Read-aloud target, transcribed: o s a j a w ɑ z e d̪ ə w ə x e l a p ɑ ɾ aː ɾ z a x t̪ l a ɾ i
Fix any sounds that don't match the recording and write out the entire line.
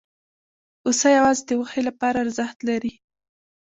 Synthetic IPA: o s a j a w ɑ z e d̪ ə w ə x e l a p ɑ ɾ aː ɾ z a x t̪ l a ɾ i